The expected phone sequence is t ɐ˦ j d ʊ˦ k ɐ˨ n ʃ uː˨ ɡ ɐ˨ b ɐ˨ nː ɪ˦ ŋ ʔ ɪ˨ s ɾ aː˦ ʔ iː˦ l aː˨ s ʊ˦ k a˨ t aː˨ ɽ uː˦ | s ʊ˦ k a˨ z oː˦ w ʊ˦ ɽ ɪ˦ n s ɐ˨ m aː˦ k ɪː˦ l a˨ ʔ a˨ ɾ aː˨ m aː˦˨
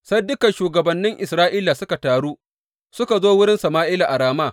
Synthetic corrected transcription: s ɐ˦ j d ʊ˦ k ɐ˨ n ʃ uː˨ ɡ ɐ˨ b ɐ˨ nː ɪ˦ ŋ ʔ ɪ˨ s ɾ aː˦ ʔ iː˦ l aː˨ s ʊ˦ k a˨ t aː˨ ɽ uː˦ | s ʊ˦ k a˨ z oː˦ w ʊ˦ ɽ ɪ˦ n s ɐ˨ m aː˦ ʔ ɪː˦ l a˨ ʔ a˨ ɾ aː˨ m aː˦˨